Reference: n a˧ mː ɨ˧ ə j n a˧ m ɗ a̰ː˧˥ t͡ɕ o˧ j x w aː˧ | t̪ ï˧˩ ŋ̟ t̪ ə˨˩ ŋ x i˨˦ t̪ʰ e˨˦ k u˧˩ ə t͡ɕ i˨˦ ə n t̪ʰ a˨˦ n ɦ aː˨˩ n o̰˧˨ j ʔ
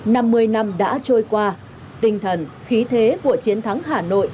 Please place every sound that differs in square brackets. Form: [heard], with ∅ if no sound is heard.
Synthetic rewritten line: n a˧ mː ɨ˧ ə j n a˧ m ɗ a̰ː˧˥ t͡ɕ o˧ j [k] w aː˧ | t̪ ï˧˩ ŋ̟ [t̪ʰ] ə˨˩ [n] x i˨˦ t̪ʰ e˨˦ k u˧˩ ə t͡ɕ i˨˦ ə n t̪ʰ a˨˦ [ŋ] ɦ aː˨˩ n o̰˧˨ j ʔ